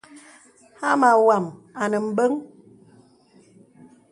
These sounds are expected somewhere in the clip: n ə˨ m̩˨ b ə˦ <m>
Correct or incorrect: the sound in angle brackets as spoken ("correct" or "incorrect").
incorrect